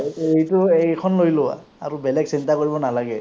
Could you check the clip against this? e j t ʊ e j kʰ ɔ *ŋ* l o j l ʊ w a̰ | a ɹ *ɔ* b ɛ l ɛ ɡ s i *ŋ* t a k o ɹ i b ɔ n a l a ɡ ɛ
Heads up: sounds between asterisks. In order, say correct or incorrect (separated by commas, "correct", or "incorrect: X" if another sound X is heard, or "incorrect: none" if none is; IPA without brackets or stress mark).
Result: incorrect: n, incorrect: u, incorrect: n